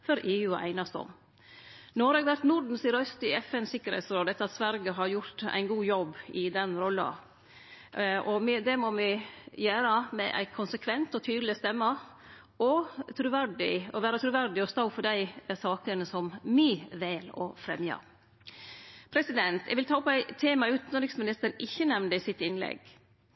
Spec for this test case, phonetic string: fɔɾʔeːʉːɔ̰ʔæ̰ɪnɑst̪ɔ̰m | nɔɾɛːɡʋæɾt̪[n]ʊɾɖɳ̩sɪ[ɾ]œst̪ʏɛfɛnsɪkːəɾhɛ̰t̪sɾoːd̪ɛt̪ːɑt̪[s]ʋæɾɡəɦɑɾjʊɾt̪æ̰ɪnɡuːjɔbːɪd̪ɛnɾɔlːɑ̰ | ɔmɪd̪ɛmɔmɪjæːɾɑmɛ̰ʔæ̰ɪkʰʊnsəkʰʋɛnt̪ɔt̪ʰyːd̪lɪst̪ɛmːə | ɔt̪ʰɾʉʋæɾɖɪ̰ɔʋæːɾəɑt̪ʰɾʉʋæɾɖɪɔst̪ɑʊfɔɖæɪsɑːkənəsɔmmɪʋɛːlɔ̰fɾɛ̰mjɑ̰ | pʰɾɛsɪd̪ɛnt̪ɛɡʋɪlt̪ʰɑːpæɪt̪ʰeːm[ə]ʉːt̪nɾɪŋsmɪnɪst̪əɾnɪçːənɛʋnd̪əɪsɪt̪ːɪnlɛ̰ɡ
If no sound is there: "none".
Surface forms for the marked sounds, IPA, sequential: n, ɾ, s, ɑ

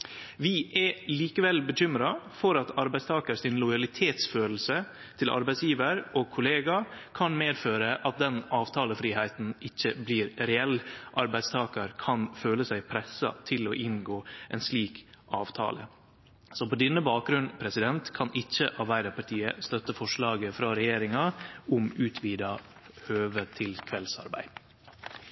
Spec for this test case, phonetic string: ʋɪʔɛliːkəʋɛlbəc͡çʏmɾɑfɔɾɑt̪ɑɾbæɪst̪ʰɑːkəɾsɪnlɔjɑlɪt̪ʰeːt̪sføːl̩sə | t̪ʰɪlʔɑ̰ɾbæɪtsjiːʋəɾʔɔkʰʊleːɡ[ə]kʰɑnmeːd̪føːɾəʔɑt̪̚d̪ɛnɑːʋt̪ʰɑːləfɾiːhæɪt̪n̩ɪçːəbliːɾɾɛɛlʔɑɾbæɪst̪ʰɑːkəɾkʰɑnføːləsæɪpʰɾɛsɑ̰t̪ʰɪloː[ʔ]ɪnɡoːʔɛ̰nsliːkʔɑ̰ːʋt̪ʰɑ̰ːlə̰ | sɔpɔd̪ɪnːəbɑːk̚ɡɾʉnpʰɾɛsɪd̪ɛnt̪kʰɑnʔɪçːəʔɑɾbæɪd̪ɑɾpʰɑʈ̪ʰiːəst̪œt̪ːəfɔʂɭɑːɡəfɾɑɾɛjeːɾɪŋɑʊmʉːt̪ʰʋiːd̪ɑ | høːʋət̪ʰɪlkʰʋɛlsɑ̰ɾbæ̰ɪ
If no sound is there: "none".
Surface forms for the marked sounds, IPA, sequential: ɑ, ʔ

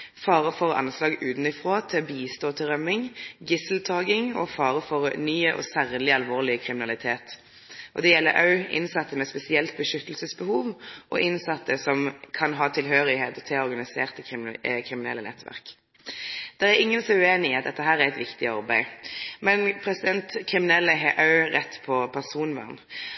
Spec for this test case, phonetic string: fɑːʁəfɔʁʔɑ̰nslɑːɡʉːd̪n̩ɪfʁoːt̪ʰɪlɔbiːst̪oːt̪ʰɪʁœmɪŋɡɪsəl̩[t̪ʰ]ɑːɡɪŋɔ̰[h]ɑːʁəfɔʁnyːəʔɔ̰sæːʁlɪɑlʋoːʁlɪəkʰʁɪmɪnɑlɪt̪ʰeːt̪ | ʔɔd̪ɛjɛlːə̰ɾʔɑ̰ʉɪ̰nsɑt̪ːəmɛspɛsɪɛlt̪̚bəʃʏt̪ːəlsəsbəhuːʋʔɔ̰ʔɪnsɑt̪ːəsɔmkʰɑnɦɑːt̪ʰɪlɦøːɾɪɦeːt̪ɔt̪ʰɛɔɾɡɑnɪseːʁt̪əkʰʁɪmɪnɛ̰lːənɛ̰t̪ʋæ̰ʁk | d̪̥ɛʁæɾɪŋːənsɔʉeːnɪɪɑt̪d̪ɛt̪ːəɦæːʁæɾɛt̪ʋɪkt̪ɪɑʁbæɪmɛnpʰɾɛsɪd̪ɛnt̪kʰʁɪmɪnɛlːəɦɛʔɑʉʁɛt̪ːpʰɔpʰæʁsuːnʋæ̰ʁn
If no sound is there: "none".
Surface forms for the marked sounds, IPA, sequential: t̪ʰ, f

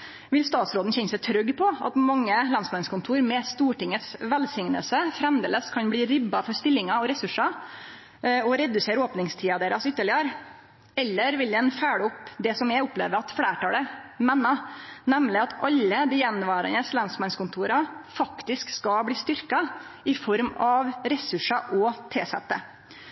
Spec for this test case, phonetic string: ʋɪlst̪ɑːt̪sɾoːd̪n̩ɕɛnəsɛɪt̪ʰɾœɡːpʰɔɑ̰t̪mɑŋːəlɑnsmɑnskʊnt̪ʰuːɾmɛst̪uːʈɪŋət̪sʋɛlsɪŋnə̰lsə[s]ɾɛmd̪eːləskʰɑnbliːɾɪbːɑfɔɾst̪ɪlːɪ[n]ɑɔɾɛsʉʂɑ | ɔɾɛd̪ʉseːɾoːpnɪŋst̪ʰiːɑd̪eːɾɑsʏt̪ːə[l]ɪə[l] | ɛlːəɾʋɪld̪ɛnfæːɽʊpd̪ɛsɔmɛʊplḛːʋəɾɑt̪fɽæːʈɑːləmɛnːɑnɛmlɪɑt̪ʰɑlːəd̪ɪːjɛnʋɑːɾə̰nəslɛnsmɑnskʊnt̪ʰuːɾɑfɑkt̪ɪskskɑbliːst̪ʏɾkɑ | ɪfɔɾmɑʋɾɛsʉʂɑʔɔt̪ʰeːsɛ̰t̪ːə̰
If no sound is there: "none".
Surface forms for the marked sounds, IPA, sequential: f, ŋ, ɭ, ɾ

